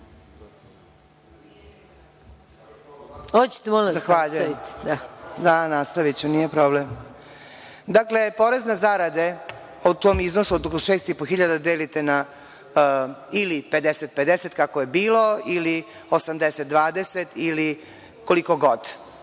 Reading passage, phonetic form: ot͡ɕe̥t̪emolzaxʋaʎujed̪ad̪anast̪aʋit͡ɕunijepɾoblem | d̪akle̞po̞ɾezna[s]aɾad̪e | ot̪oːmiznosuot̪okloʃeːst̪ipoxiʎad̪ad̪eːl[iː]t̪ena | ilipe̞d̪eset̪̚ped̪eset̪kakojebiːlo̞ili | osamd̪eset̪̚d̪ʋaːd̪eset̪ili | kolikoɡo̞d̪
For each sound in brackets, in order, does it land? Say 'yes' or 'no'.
no, no

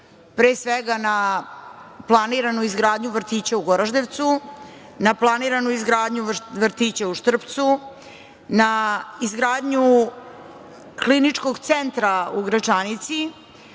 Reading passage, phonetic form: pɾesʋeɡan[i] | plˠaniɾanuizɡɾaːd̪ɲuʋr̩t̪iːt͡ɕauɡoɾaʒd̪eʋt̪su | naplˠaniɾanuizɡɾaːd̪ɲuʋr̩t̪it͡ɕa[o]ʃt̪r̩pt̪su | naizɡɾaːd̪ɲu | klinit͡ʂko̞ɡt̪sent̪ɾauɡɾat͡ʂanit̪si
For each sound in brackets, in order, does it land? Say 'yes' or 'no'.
no, no

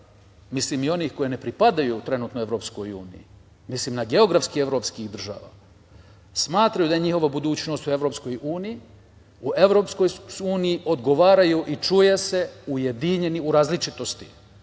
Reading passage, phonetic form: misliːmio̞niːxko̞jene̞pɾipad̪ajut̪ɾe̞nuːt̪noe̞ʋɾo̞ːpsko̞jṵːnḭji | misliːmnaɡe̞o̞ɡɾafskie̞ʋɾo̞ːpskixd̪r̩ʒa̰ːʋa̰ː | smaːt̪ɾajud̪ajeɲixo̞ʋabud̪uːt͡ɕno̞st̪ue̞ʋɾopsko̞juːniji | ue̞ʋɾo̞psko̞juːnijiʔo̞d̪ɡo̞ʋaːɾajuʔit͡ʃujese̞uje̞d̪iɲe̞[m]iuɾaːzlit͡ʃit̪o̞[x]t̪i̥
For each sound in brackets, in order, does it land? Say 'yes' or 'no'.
no, no

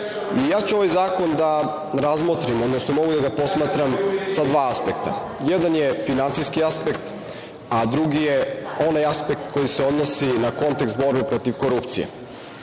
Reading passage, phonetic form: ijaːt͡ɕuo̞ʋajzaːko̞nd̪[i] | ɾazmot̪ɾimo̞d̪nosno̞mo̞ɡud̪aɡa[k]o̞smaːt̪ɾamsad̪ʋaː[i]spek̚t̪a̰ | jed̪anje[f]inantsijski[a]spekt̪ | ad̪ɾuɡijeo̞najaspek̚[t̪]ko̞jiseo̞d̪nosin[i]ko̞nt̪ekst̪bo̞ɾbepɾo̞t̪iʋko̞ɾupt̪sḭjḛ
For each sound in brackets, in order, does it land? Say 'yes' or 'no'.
no, no, no, yes, yes, yes, no

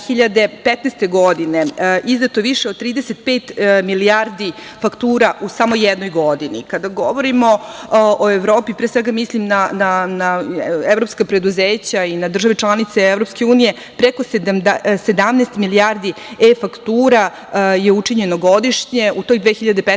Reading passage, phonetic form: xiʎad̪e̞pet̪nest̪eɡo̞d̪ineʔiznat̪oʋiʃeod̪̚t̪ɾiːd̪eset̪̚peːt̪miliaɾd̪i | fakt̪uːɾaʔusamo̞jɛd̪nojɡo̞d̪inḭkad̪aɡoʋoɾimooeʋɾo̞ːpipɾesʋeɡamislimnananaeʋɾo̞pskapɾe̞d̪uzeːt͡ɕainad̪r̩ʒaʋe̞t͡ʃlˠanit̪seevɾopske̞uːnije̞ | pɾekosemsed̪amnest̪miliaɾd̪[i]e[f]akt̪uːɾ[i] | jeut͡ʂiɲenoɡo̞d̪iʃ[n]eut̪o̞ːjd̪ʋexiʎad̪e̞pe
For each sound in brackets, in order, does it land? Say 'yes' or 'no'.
yes, yes, no, no

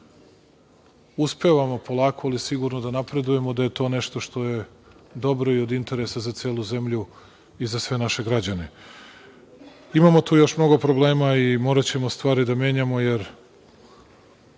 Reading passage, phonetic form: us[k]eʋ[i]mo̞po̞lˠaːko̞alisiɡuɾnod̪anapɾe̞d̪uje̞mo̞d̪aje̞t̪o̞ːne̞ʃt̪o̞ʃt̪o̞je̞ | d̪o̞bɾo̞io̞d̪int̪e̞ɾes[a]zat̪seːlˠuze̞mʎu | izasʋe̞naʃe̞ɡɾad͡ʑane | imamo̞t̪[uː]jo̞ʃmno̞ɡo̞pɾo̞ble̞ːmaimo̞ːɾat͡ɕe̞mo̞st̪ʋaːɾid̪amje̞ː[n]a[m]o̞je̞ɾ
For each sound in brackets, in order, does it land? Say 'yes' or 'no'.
no, no, yes, yes, no, yes

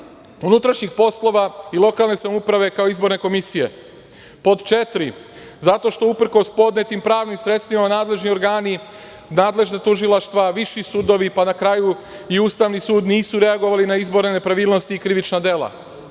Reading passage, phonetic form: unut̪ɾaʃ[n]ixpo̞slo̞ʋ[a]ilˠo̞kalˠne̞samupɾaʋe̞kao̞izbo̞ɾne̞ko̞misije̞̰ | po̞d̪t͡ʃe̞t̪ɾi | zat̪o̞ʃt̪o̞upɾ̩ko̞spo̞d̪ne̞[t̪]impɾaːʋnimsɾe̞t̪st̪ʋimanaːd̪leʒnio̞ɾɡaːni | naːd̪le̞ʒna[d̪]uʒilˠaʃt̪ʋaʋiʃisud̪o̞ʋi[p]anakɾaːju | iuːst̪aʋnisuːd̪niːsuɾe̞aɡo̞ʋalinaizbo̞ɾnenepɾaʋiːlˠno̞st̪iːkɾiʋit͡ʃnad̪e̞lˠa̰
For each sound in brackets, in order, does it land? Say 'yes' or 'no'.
no, yes, yes, no, yes

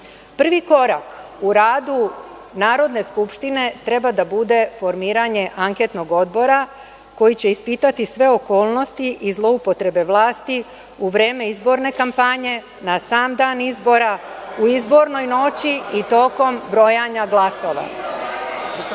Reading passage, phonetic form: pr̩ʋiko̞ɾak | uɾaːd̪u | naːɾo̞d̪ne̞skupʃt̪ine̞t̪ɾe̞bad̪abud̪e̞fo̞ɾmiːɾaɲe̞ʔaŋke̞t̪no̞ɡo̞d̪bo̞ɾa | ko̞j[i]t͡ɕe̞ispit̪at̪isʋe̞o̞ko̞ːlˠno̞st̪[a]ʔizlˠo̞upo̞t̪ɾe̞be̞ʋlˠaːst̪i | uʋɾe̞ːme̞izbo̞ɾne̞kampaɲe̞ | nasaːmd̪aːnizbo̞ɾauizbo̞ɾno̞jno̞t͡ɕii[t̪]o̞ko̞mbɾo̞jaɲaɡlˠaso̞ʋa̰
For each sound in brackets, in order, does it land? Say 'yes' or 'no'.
yes, no, yes

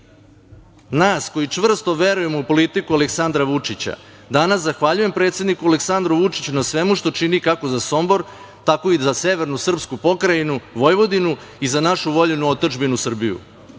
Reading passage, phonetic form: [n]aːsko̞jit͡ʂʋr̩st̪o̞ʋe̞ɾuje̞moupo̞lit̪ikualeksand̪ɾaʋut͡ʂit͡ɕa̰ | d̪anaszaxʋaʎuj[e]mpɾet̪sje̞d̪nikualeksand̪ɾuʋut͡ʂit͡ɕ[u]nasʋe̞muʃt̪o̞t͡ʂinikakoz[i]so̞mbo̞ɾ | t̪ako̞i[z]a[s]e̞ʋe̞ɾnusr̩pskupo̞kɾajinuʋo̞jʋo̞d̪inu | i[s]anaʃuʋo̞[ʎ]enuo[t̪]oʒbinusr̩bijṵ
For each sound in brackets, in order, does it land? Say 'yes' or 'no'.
yes, yes, yes, no, yes, yes, no, yes, yes

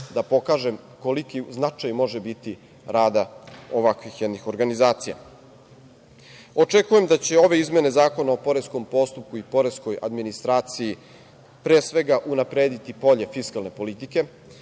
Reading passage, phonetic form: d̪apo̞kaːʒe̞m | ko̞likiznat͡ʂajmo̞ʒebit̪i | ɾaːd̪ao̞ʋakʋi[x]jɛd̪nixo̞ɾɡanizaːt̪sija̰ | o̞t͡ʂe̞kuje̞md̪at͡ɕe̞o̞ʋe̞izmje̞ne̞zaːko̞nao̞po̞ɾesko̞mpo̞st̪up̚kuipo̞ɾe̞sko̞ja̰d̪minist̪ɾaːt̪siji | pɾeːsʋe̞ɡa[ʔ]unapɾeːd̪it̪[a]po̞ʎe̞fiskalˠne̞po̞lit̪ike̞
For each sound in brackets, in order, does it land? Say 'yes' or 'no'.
yes, yes, no

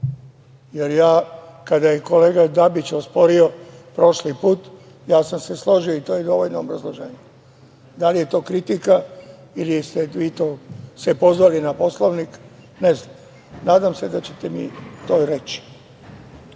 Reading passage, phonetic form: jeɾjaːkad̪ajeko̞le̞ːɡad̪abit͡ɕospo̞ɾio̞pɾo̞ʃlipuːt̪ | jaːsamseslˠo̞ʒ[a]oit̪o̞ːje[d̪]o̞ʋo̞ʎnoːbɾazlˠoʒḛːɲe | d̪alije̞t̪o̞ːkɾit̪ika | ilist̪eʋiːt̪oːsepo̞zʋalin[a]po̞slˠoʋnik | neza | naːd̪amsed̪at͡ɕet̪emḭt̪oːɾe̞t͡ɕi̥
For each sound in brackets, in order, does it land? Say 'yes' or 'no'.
no, yes, yes

